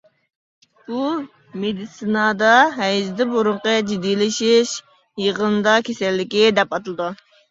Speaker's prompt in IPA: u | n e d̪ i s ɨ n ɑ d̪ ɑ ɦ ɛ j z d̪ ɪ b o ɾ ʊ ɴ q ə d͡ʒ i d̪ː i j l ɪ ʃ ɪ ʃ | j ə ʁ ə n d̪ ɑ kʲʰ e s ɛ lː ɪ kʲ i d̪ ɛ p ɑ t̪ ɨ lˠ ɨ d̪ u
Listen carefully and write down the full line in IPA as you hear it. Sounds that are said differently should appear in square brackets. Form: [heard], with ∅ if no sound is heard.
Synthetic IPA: u | [m] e d̪ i s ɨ n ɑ d̪ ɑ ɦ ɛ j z d̪ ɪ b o ɾ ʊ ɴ q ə d͡ʒ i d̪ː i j l ɪ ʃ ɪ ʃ | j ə ʁ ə n d̪ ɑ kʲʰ e s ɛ lː ɪ kʲ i d̪ ɛ p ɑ t̪ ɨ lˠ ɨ d̪ u